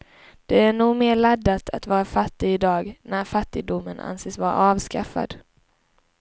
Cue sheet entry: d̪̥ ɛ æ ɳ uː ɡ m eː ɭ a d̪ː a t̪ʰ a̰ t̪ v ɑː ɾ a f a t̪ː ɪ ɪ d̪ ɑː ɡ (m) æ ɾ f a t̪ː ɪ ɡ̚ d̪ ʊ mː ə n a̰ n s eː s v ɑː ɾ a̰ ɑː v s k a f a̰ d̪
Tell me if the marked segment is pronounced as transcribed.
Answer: no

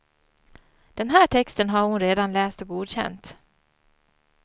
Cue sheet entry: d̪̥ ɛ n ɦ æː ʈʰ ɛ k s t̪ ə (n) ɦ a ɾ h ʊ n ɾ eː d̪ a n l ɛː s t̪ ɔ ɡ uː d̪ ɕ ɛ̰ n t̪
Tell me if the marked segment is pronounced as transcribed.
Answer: yes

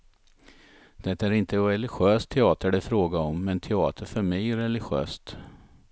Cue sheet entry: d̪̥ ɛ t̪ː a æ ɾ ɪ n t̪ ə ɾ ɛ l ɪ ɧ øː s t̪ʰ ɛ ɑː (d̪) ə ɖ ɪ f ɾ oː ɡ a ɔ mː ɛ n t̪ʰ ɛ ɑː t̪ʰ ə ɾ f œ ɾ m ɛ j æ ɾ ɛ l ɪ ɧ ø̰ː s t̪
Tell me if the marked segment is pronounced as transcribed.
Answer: no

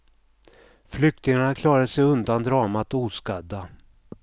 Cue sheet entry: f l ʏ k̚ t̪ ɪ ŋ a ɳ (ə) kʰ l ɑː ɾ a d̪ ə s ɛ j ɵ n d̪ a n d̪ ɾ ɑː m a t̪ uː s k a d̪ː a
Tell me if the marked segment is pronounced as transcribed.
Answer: no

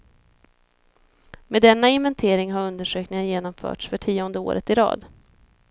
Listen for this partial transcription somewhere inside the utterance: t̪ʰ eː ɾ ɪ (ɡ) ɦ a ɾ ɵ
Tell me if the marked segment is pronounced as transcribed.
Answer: no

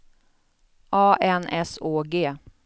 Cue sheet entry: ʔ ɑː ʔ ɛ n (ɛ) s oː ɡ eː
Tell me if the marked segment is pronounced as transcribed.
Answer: yes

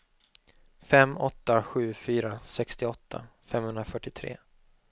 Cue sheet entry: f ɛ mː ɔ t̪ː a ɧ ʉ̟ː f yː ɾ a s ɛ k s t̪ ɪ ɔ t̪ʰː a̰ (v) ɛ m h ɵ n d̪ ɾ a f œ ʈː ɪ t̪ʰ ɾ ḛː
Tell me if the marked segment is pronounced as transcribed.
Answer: no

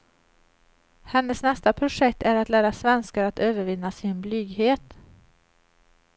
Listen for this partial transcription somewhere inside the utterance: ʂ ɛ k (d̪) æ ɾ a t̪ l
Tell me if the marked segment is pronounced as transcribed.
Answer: no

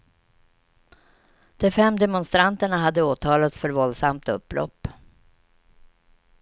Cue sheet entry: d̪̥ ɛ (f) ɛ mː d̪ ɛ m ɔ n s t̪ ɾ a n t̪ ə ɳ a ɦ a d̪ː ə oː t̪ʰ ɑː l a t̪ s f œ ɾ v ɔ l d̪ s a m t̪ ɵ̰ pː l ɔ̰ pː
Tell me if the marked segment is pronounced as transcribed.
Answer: yes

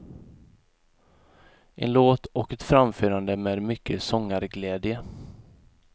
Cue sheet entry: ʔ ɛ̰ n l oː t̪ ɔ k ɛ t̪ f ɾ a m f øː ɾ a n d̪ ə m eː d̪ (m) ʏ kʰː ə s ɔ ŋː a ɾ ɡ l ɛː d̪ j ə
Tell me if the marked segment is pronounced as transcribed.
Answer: yes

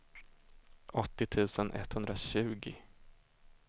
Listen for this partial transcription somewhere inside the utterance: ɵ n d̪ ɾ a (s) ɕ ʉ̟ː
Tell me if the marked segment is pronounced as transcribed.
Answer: no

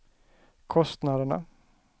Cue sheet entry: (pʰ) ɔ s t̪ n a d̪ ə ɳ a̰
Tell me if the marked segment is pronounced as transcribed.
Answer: no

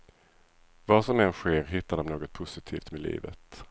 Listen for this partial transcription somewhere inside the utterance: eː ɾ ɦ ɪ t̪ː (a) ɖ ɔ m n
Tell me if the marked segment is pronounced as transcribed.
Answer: yes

